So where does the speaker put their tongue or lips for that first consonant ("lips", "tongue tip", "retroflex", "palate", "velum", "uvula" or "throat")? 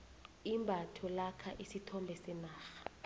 lips